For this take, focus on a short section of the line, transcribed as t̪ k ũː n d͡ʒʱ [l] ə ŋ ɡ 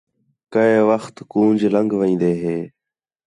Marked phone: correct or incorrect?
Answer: correct